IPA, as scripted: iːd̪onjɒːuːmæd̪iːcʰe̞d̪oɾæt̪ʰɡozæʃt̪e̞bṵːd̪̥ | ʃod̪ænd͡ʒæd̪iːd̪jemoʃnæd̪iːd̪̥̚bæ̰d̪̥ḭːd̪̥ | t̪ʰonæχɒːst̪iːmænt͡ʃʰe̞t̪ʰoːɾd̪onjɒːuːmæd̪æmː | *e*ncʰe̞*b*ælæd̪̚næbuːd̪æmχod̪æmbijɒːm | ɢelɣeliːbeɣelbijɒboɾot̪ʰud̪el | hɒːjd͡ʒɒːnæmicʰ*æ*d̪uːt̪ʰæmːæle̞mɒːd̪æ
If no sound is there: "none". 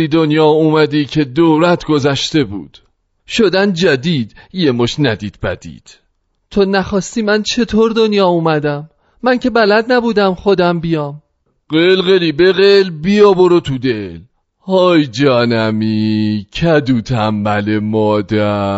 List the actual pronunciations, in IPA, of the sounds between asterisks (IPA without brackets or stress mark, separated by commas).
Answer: æ, b, æ